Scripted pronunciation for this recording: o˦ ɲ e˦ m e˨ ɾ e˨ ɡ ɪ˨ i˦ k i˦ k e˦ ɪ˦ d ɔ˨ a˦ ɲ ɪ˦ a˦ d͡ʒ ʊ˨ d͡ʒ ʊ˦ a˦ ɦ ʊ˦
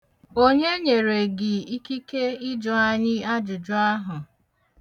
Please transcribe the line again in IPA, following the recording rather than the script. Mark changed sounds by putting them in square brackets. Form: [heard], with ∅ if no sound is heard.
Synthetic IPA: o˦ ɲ e˦ [ɲ] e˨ ɾ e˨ ɡ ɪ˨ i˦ k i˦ k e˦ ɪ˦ [d͡ʒ] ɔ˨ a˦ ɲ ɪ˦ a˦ d͡ʒ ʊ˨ d͡ʒ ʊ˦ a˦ ɦ [ʊ˨]